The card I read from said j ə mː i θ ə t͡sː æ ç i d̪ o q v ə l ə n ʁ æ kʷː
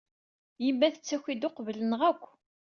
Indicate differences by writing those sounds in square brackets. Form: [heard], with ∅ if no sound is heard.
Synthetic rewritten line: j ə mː [æ] θ ə t͡sː æ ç i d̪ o q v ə l ə n ʁ æ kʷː